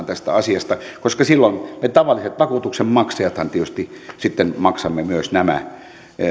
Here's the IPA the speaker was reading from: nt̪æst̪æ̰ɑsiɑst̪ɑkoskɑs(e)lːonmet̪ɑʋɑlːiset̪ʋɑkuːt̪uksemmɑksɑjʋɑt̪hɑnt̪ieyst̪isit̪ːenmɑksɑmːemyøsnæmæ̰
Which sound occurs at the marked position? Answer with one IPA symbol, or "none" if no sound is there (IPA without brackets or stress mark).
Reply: i